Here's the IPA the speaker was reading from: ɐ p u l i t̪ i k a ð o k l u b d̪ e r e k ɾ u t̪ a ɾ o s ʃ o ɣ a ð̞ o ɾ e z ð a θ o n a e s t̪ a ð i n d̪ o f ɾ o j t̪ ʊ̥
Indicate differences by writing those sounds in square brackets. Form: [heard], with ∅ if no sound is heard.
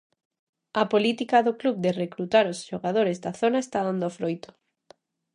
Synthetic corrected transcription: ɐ p [o] l i t̪ i k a ð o k l u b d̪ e r e k ɾ u t̪ a ɾ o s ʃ o ɣ a ð̞ o ɾ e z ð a θ o n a e s t̪ a ð [a] n d̪ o f ɾ o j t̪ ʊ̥